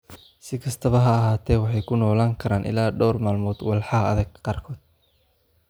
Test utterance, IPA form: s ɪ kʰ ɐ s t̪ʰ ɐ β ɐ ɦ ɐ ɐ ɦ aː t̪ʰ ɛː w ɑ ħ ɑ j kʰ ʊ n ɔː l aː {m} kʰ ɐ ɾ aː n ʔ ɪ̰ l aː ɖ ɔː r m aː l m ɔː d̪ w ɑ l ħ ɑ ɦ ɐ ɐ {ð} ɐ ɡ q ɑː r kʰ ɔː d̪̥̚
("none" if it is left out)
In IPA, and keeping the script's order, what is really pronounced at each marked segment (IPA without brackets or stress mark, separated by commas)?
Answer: ŋ, ð